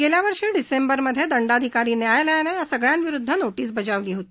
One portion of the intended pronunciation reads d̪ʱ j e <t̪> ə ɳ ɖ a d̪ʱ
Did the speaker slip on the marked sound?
yes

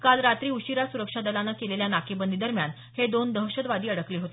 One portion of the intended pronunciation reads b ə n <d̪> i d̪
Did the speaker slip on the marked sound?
no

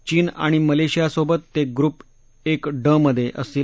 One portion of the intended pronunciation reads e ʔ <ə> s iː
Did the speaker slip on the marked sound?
no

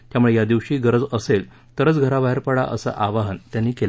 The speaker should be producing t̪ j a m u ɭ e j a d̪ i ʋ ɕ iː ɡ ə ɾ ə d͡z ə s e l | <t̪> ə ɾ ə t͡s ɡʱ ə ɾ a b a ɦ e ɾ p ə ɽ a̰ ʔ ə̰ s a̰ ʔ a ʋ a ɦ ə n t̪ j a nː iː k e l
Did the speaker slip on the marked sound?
no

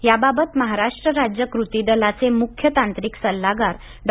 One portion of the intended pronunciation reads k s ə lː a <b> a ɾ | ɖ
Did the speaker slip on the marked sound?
yes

